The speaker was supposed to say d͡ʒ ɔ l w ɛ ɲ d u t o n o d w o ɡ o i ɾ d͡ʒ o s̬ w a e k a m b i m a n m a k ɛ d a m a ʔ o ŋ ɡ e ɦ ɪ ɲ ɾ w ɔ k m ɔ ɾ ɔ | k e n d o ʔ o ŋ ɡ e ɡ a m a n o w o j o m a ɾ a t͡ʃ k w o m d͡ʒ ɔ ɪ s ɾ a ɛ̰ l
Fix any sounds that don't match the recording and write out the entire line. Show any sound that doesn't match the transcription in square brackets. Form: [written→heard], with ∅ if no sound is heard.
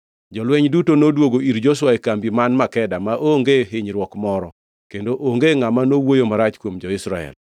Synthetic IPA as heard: d͡ʒ ɔ l w ɛ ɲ d u t o n o d w o ɡ o i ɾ d͡ʒ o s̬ w a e k a m b i m a n m a k ɛ d a m a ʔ o ŋ ɡ e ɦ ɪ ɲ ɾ w ɔ k m ɔ ɾ ɔ | k e n d o ʔ o ŋ ɡ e [ɡ→ŋ] a m a n o w o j o m a ɾ a t͡ʃ k w o m d͡ʒ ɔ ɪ s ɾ a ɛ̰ l